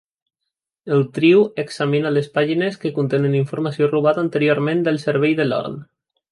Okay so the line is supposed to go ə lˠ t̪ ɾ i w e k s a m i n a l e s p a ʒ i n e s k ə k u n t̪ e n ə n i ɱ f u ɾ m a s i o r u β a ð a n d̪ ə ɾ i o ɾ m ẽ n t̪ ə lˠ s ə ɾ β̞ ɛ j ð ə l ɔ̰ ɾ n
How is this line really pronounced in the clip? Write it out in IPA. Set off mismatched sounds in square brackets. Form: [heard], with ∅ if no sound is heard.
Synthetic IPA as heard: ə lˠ t̪ ɾ i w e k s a m i n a l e s p a ʒ i n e s k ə k u n t̪ e n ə n i ɱ f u ɾ m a s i o r u β a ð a n [t̪] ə ɾ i o ɾ m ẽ n [d̪] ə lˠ s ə ɾ β̞ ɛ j ð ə l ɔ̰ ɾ n